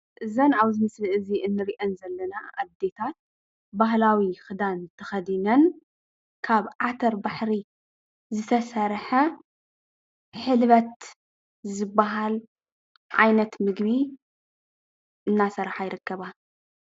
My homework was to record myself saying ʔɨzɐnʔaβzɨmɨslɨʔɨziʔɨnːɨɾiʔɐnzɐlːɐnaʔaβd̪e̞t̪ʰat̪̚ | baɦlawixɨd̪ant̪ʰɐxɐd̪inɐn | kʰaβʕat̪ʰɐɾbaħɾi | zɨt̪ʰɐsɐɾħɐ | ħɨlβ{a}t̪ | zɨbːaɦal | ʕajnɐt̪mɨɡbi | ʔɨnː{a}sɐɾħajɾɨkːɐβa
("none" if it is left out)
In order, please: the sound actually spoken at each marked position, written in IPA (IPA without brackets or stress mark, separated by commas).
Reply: ɐ, a